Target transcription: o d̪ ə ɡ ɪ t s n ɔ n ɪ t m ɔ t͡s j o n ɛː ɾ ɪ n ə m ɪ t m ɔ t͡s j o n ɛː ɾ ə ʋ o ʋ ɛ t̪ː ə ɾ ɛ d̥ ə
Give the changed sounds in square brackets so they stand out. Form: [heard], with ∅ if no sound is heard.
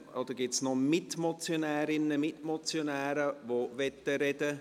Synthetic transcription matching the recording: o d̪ ə ɡ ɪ t s n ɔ [m] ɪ t m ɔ t͡s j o n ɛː ɾ ɪ n ə m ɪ t m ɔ t͡s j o n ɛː ɾ ə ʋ o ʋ ɛ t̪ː ə ɾ ɛ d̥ ə